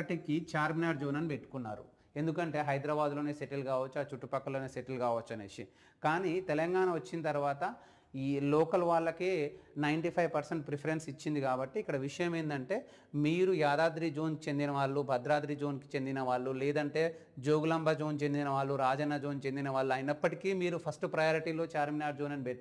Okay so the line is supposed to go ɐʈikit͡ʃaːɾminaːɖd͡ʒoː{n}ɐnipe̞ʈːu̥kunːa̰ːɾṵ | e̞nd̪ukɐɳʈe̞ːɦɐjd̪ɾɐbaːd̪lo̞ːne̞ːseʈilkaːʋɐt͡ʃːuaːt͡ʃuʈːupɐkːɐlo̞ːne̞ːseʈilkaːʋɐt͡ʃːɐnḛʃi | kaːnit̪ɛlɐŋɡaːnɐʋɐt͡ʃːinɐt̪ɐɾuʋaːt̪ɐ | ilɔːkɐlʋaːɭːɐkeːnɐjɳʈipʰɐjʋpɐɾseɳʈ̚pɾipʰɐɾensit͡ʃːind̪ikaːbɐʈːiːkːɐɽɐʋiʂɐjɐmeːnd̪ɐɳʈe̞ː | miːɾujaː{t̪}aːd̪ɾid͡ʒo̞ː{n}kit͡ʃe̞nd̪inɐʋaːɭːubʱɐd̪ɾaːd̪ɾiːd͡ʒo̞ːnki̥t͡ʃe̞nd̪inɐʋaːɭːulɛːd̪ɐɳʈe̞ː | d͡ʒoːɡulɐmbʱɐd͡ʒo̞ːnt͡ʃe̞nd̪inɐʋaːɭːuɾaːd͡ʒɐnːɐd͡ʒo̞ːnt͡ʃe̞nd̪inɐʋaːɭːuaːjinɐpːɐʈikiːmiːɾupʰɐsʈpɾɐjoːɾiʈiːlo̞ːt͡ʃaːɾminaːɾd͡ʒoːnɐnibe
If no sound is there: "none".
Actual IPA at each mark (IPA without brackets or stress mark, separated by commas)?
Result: n, d̪, n